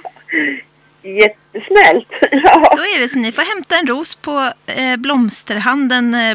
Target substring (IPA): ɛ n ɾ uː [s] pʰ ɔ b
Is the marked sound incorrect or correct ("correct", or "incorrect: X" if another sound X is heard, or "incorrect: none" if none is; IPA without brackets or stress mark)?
correct